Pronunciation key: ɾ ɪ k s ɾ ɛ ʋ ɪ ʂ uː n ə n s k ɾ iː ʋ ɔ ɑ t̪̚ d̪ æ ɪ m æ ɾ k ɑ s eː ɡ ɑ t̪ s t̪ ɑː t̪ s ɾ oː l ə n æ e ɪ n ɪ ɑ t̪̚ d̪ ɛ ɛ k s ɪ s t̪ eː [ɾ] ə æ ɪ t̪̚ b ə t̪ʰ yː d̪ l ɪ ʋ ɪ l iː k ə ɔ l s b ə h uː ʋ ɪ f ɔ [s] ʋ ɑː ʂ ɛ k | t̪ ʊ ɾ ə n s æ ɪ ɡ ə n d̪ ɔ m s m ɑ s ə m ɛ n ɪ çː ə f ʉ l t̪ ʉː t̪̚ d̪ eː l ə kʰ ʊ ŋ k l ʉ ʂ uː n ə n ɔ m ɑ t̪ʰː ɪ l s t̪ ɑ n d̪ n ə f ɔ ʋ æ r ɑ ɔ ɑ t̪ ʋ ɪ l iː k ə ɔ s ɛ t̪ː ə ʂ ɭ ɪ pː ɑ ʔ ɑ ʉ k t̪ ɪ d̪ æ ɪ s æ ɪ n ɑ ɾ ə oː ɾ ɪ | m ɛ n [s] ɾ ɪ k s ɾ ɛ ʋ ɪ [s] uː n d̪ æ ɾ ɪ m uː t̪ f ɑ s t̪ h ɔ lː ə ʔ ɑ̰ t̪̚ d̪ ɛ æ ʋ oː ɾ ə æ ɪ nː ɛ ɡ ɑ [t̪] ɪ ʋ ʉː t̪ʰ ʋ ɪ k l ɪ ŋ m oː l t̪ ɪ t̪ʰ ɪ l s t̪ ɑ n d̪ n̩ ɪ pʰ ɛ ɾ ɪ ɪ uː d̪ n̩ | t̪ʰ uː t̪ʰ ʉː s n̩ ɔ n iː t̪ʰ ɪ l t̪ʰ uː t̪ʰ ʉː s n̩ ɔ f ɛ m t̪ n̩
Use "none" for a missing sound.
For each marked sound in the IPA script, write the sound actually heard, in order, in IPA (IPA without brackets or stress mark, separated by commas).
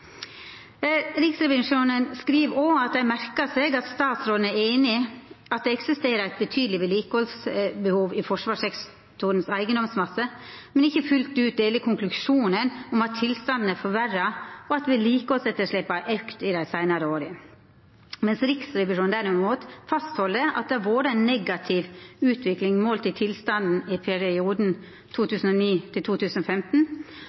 ɾ, ʂ, s, ʂ, t̪ʰ